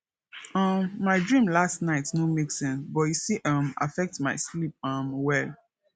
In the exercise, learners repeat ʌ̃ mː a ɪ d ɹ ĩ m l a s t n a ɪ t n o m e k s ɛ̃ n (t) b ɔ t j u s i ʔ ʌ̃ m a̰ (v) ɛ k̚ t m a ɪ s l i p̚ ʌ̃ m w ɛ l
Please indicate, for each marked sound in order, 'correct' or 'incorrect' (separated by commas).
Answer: incorrect, incorrect